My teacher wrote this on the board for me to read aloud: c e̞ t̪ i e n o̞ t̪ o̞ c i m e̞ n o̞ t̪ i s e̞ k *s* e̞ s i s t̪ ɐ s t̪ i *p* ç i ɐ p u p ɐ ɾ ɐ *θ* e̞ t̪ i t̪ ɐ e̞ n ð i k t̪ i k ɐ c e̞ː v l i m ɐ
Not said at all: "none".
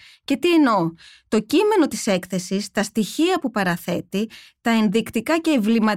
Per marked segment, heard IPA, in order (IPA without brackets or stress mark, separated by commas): θ, none, θ